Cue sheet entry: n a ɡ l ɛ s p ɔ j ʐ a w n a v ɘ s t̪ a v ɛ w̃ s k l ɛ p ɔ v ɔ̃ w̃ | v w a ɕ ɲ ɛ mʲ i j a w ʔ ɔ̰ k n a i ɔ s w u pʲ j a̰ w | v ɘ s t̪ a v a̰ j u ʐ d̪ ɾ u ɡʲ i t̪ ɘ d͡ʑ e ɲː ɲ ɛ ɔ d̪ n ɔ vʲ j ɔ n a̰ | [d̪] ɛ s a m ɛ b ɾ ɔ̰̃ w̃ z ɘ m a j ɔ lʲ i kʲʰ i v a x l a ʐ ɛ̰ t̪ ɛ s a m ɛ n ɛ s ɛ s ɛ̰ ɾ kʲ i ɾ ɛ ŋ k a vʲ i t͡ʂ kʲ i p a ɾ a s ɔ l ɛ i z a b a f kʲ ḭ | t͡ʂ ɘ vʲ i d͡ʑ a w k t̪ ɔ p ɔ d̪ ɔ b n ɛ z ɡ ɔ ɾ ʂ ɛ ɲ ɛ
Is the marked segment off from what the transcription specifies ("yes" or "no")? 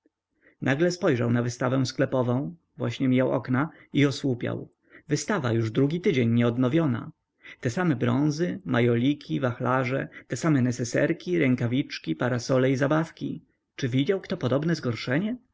yes